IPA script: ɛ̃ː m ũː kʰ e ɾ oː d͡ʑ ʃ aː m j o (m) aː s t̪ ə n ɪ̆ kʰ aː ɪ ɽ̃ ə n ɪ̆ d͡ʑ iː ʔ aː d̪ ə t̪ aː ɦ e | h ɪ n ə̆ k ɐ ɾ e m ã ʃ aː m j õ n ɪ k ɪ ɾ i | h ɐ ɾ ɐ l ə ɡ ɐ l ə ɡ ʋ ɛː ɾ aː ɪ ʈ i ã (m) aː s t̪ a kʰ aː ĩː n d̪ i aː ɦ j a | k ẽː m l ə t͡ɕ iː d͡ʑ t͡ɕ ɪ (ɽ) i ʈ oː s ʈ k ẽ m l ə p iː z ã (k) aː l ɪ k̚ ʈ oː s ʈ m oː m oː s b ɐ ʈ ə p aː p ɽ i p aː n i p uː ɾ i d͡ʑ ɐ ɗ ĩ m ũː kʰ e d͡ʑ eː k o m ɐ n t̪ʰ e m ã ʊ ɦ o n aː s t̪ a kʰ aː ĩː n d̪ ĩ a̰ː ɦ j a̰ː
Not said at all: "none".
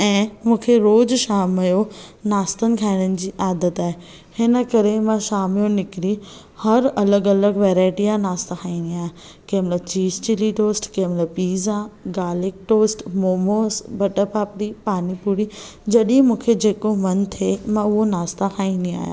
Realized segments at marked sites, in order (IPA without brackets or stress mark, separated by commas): n, n, l, ɡ